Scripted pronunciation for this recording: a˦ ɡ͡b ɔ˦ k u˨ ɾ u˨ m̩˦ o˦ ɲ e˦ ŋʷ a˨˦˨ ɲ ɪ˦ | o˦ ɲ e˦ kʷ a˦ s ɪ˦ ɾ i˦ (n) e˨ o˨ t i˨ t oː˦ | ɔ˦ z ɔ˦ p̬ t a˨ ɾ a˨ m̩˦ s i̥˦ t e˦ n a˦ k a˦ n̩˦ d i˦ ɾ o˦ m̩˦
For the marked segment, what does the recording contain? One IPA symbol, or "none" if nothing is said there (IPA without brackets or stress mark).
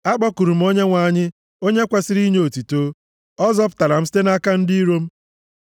ɲ